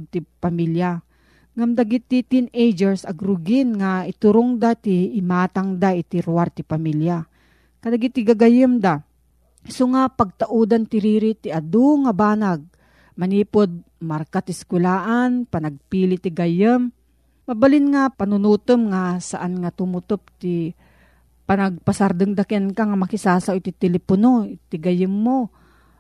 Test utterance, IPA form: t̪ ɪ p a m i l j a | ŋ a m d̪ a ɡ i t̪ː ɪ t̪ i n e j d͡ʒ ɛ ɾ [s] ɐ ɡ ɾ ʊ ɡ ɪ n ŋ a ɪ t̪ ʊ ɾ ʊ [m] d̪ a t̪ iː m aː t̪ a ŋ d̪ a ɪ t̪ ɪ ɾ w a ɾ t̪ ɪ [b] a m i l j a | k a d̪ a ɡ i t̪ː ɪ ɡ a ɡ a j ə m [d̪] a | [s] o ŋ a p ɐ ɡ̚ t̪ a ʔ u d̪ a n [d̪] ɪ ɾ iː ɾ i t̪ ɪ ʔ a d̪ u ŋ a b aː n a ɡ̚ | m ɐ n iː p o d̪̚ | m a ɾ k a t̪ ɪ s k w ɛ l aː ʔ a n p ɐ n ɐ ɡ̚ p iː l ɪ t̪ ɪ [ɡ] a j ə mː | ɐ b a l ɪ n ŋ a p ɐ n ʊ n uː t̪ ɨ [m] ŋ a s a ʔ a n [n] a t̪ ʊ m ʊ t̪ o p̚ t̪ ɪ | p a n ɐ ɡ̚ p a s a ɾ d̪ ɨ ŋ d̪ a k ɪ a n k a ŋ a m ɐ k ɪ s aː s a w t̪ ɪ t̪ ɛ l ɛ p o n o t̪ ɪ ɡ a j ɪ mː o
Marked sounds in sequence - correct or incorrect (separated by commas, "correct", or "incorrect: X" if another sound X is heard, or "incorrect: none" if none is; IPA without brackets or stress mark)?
correct, incorrect: ŋ, incorrect: p, correct, correct, incorrect: t̪, correct, correct, incorrect: ŋ